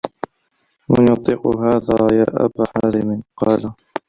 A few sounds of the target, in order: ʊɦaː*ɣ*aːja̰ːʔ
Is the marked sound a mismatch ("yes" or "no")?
yes